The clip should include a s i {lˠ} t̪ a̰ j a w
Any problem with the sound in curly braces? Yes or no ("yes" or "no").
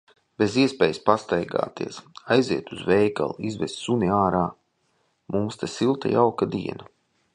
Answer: no